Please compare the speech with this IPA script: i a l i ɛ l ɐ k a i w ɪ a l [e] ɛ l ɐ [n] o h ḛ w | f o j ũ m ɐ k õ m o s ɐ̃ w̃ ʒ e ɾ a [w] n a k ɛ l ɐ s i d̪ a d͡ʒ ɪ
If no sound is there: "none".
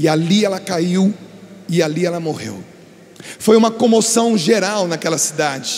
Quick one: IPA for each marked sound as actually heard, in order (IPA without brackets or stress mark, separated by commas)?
i, m, w